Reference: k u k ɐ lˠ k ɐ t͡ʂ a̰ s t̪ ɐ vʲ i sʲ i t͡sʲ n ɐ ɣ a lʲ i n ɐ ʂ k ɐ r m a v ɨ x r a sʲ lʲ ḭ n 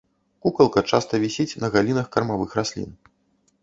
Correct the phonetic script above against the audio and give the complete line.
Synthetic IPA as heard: k u k ɐ lˠ k ɐ t͡ʂ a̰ s t̪ ɐ vʲ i sʲ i t͡sʲ n ɐ ɣ a lʲ i n ɐ x k ɐ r m a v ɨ x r a sʲ lʲ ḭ n